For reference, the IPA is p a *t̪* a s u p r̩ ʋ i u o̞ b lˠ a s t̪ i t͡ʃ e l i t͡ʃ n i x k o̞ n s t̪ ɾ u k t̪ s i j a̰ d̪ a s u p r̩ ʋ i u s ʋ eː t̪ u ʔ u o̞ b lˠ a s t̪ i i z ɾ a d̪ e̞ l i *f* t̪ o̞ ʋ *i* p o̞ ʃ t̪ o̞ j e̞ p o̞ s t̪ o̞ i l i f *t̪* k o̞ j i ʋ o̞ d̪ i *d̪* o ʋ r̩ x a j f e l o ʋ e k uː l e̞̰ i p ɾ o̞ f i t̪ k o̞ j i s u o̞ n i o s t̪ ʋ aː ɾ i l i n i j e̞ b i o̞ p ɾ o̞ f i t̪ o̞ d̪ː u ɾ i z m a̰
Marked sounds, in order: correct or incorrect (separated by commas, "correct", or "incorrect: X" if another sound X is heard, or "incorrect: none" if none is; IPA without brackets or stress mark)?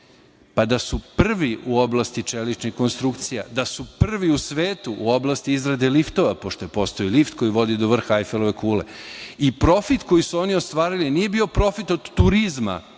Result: incorrect: d̪, correct, incorrect: a, correct, correct